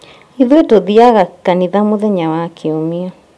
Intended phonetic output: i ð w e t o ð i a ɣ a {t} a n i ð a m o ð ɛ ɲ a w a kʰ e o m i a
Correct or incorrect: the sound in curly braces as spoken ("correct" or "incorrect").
incorrect